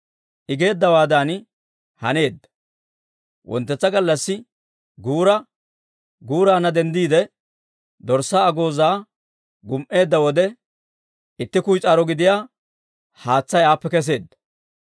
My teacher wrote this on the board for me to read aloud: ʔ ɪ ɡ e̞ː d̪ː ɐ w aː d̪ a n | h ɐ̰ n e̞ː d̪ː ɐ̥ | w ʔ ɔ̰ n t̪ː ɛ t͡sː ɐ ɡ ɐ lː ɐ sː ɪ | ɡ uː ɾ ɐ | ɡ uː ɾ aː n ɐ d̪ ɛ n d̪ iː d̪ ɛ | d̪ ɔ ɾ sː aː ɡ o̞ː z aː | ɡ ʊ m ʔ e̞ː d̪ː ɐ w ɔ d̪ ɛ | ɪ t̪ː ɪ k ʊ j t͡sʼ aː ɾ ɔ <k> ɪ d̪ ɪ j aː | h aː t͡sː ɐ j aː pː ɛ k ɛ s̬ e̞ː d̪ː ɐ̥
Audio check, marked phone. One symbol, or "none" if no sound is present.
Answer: ɡ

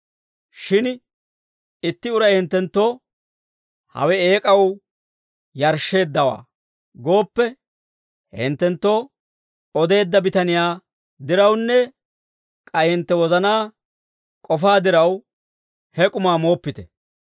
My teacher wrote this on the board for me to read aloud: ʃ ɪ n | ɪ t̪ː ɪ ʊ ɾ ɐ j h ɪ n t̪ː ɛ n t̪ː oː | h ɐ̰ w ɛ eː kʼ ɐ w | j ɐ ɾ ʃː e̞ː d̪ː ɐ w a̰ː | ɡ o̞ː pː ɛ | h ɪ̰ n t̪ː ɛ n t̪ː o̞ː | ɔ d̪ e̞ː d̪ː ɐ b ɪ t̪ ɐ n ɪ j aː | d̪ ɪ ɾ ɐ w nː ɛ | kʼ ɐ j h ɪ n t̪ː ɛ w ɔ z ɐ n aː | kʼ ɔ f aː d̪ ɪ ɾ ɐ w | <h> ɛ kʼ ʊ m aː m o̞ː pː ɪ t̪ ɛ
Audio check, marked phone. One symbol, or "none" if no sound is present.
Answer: h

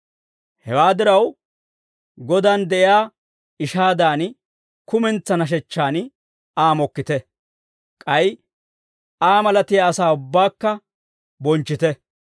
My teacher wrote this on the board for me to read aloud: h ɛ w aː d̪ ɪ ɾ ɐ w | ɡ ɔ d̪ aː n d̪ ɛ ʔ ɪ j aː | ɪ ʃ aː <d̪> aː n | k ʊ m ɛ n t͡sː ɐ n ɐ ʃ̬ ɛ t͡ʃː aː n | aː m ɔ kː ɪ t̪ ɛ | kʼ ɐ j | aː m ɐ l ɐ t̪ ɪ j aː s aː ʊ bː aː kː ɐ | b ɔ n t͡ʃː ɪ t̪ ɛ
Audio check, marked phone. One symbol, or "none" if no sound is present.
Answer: d̪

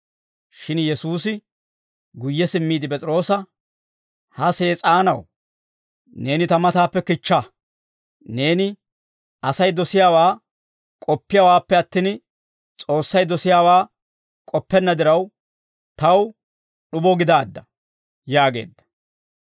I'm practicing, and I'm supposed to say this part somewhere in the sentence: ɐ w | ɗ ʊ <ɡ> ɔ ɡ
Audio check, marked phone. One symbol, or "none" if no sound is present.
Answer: b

